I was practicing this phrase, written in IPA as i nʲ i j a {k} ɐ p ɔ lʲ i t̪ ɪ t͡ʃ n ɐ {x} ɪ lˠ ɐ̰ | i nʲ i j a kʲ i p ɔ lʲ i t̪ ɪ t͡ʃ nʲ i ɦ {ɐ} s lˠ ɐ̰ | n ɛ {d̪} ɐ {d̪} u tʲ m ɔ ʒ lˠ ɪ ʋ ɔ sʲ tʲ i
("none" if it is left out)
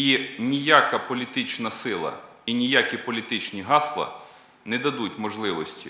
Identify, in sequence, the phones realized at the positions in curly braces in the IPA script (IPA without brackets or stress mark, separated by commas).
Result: k, s, ɑ, d̪, d̪